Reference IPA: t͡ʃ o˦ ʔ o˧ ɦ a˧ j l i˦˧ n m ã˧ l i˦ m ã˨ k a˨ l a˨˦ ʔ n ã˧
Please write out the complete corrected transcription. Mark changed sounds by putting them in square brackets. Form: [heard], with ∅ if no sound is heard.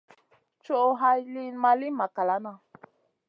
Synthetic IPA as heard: t͡ʃ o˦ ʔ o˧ ɦ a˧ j l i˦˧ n m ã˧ l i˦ m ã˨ k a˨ l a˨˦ [∅] n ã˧